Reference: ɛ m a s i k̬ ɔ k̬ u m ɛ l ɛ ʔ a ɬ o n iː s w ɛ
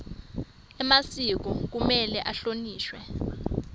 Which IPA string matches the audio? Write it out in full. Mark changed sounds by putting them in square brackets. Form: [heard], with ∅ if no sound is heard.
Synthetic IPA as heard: ɛ m a s i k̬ ɔ k̬ u m ɛ l ɛ ʔ a ɬ o n iː [ʃ] w ɛ